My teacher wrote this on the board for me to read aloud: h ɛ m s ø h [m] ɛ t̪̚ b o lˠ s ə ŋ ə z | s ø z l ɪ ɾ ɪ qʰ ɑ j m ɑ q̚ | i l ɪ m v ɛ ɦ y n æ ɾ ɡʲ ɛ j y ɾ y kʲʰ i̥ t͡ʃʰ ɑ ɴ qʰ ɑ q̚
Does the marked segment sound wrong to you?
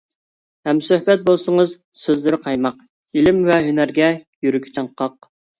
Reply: yes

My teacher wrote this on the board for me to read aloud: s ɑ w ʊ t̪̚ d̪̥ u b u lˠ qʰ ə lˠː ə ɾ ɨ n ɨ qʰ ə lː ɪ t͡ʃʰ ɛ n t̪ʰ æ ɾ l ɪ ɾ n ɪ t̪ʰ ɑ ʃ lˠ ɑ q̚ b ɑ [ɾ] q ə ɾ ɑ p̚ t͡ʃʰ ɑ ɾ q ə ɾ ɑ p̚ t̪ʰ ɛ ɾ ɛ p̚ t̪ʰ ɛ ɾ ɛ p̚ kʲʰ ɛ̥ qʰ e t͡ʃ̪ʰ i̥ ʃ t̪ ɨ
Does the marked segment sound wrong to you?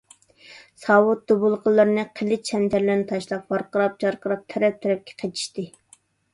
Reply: no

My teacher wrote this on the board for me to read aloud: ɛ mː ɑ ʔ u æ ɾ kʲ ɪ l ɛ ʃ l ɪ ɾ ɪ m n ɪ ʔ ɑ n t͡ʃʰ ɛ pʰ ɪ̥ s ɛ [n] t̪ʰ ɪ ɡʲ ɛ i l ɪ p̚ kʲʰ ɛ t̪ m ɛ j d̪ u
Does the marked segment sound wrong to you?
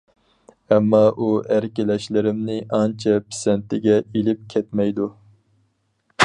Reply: no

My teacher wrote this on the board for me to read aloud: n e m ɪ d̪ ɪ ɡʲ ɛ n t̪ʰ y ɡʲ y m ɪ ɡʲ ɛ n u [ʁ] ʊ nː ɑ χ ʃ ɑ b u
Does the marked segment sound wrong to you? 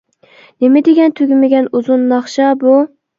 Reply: yes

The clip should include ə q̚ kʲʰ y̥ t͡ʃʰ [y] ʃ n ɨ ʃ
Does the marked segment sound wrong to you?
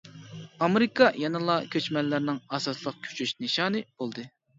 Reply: no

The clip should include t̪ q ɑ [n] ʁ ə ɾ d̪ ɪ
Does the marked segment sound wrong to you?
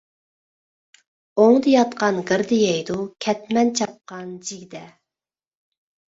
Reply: no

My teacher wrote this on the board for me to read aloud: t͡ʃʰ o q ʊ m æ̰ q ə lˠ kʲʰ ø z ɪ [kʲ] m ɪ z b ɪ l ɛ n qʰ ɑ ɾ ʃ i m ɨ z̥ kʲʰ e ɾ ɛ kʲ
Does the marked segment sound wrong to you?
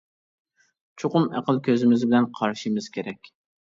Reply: yes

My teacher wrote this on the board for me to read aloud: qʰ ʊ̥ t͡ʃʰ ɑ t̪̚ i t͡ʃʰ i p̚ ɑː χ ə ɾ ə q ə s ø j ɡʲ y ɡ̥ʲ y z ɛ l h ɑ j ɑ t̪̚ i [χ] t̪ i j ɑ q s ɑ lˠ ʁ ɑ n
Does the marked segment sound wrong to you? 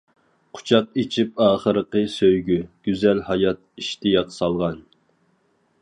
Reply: yes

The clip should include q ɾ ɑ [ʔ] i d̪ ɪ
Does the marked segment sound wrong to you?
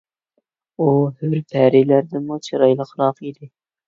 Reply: yes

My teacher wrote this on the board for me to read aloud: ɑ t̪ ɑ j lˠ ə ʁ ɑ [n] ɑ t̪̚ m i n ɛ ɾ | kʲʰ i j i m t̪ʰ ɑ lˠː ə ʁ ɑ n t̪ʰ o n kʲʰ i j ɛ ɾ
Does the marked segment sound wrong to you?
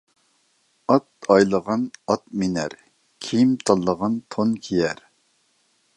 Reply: no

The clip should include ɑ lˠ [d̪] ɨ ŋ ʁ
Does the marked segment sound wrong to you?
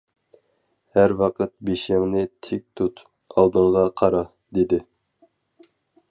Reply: no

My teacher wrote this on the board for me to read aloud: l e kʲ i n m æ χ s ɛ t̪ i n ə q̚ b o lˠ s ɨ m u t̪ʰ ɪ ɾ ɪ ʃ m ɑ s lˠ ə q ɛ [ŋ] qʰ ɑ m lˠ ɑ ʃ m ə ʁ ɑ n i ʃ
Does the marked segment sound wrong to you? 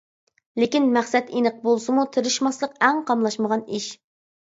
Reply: no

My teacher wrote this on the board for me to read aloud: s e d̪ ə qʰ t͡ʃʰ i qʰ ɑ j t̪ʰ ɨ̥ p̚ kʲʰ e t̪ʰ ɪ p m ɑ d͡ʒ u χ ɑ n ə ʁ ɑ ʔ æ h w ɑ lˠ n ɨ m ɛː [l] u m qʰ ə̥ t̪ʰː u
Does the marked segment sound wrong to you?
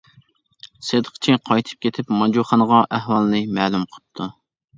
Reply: no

